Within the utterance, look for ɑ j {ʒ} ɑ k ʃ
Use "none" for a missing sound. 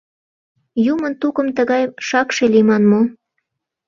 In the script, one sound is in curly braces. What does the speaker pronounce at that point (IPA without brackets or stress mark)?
ʃ